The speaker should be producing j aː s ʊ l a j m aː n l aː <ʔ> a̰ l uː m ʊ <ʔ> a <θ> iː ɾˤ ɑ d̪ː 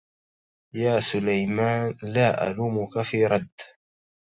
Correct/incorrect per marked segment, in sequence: correct, incorrect: k, incorrect: f

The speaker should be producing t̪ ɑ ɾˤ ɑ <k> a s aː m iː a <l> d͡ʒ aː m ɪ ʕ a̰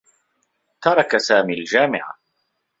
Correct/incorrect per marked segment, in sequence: correct, correct

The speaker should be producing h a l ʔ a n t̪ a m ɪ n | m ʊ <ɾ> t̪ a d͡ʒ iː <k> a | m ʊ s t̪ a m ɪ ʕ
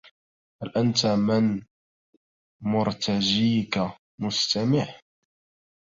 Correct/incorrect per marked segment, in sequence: correct, correct

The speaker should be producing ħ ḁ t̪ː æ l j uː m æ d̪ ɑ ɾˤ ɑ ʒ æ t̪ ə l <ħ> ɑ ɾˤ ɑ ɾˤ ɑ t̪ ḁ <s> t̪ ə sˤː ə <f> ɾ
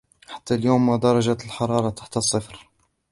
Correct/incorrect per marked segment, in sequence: correct, incorrect: ħ, correct

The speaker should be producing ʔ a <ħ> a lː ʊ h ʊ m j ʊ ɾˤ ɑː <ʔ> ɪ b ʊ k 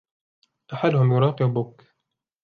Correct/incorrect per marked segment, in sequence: correct, incorrect: q

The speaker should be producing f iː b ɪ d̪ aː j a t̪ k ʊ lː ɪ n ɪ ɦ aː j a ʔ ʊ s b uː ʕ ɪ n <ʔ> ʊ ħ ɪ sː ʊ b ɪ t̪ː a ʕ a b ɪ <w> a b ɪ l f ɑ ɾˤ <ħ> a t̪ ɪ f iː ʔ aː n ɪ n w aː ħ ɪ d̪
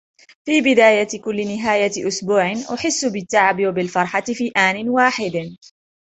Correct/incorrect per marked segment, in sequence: correct, correct, correct

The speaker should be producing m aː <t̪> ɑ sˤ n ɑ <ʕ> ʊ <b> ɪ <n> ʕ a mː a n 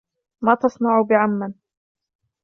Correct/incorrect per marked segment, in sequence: correct, correct, correct, incorrect: none

